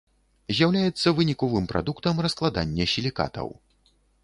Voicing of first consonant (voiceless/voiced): voiced